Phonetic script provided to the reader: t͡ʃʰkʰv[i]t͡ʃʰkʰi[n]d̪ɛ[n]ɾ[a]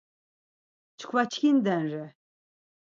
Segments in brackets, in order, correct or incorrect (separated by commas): incorrect, correct, correct, incorrect